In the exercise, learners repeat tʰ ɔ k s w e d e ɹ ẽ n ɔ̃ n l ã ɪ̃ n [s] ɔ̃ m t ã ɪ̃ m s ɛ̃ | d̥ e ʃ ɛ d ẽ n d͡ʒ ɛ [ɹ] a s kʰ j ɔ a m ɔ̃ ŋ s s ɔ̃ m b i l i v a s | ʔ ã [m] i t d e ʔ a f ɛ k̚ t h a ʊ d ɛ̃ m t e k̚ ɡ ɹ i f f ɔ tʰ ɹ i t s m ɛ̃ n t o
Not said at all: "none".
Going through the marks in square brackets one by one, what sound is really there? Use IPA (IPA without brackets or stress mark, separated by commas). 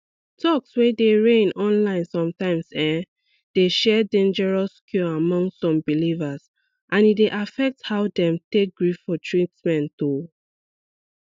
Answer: s, ɹ, n